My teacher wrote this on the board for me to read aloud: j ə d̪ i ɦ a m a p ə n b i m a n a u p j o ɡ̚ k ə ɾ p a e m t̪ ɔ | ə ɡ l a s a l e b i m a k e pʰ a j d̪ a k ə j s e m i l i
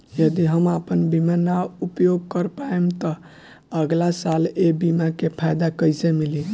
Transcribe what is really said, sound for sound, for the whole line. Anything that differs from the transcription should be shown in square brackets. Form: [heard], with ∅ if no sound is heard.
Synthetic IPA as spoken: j ə d̪ i ɦ [ə] m a p ə n b i m a n a u p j o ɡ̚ k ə ɾ p a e m t̪ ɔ | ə ɡ l a s a l e b i m a k e pʰ a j d̪ a k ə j s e m i l i

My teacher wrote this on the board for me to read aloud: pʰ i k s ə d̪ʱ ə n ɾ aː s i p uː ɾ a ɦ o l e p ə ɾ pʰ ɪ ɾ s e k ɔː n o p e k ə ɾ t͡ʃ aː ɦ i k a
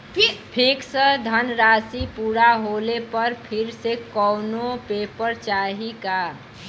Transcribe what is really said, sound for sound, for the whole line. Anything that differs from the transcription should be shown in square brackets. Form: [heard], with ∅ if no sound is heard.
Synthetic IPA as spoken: pʰ i k s ə d̪ʱ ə n ɾ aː s i p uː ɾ a ɦ o l e p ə ɾ pʰ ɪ ɾ s e k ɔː n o p e [p] ə ɾ t͡ʃ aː ɦ i k a

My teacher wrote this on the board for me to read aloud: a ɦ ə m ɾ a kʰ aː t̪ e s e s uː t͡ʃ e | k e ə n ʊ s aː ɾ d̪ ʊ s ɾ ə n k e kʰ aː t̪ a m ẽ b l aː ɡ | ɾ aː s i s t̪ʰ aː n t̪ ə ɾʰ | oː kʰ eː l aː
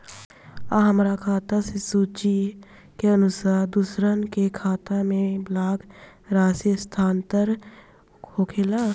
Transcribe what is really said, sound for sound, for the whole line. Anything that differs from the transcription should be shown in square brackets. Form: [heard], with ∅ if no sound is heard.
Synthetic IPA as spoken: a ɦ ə m ɾ a kʰ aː t̪ [a] s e s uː t͡ʃ [i] | k e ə n ʊ s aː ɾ d̪ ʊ s ɾ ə n k e kʰ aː t̪ a m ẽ b l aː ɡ | ɾ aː s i s t̪ʰ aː n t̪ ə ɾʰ | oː kʰ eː l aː

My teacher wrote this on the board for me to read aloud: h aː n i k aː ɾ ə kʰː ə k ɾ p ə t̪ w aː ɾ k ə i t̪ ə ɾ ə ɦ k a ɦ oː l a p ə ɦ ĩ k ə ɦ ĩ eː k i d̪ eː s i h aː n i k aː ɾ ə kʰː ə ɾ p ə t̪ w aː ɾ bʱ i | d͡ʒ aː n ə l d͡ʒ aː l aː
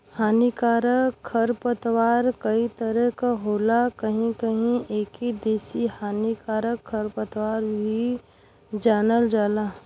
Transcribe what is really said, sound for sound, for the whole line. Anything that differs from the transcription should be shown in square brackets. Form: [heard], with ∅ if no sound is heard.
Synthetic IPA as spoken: h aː n i k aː ɾ ə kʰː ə [∅] ɾ p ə t̪ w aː ɾ k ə i t̪ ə ɾ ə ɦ k a ɦ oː l a [k] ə ɦ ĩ k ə ɦ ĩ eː k i d̪ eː s i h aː n i k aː ɾ ə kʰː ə ɾ p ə t̪ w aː ɾ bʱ i | d͡ʒ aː n ə l d͡ʒ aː l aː

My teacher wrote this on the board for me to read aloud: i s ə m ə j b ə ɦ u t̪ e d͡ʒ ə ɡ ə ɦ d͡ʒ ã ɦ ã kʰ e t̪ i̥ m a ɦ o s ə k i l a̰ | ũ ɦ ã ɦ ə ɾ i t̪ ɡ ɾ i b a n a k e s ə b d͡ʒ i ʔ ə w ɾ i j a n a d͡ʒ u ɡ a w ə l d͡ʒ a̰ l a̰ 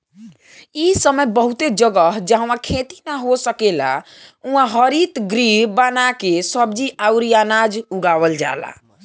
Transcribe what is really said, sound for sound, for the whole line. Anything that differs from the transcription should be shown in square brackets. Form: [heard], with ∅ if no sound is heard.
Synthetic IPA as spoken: i s ə m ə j b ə ɦ u t̪ e d͡ʒ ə ɡ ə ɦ d͡ʒ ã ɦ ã kʰ e t̪ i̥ [n] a ɦ o s ə k [e] l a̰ | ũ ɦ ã ɦ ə ɾ i t̪ ɡ ɾ i b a n a k e s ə b d͡ʒ i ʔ [a] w ɾ i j a n a d͡ʒ u ɡ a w ə l d͡ʒ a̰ l a̰

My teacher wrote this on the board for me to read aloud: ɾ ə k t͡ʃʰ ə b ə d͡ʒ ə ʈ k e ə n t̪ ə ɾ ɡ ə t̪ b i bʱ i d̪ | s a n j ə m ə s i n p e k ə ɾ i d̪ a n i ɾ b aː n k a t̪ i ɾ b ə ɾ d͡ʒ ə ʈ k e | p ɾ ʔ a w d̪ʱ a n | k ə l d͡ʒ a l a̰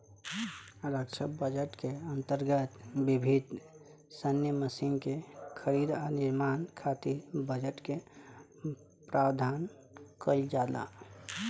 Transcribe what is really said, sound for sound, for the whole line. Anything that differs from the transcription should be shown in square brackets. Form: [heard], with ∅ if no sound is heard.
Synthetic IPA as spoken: ɾ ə k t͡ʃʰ ə b ə d͡ʒ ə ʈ k e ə n t̪ ə ɾ ɡ ə t̪ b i bʱ i d̪ | s [ə] n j ə m ə s i n [k] e [kʰ] ə ɾ i d̪ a n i ɾ [m] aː n [kʰ] a t̪ i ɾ b ə [∅] d͡ʒ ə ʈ k e | p ɾ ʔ a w d̪ʱ a n | k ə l d͡ʒ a l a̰

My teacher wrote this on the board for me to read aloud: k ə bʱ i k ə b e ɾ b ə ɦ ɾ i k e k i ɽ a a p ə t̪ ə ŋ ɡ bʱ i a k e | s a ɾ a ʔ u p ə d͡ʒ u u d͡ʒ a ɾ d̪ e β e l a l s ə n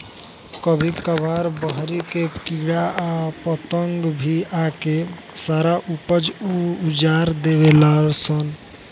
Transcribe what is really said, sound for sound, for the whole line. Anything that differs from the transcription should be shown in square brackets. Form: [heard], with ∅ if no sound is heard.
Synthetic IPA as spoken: k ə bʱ i k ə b [a] ɾ b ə ɦ ɾ i k e k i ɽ a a p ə t̪ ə ŋ ɡ bʱ i a k e | s a ɾ a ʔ u p ə d͡ʒ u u d͡ʒ a ɾ d̪ e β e l a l s ə n

